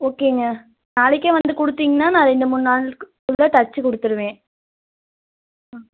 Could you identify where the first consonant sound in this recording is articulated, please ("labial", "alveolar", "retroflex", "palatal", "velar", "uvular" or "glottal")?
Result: velar